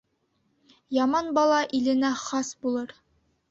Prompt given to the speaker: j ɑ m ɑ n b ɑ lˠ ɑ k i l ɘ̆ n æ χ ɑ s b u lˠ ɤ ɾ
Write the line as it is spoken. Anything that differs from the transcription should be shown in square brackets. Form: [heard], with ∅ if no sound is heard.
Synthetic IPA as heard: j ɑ m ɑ n b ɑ lˠ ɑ [ʔ] i l ɘ̆ n æ χ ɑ s b u lˠ ɤ ɾ